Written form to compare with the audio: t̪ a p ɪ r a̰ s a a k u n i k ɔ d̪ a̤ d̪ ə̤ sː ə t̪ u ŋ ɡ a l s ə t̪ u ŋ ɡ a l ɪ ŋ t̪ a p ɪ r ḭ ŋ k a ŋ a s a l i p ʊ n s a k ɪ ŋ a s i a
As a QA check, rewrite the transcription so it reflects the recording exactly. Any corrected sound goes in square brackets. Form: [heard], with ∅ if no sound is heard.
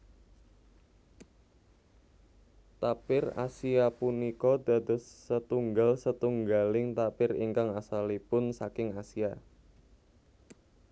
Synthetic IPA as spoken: t̪ a p ɪ r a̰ s [i] a [p] u n i k ɔ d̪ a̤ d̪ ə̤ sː ə t̪ u ŋ ɡ a l s ə t̪ u ŋ ɡ a l ɪ ŋ t̪ a p ɪ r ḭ ŋ k a ŋ a s a l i p ʊ n s a k ɪ ŋ a s i a